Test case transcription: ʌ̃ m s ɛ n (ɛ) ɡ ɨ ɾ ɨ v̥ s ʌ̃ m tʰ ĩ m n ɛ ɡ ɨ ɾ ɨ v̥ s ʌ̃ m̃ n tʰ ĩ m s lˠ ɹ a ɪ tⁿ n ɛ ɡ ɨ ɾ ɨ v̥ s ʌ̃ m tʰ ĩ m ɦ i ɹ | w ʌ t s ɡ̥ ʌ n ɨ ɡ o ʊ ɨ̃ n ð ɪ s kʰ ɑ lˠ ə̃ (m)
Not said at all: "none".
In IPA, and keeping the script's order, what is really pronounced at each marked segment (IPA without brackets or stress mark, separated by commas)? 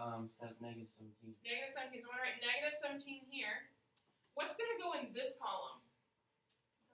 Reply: ɛ, m